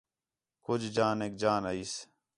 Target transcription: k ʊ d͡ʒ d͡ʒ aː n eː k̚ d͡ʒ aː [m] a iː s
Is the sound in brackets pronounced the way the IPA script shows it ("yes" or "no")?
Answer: no